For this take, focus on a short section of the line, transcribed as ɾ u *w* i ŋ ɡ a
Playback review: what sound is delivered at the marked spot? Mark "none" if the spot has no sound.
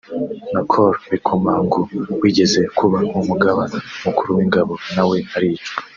w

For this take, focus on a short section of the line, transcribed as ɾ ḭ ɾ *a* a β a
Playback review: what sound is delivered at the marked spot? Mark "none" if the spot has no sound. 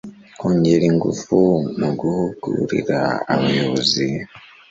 a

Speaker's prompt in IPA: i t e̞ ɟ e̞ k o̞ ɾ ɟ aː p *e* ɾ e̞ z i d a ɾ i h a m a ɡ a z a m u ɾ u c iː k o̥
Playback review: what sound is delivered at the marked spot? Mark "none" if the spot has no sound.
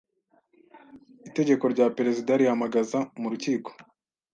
e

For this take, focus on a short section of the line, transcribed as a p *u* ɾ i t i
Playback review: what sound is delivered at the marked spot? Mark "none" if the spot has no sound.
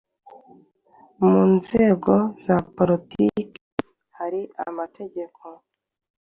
o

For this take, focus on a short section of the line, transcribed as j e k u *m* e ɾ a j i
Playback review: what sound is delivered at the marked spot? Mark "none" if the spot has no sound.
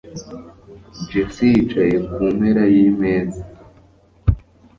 m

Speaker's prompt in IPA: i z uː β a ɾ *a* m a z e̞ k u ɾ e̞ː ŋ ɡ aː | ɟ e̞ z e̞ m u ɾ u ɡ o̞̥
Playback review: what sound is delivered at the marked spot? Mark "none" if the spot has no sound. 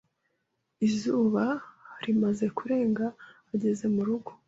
i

